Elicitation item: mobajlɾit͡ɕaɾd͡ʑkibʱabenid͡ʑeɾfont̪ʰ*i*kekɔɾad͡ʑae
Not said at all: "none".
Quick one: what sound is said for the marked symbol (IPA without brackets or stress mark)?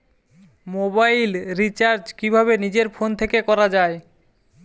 e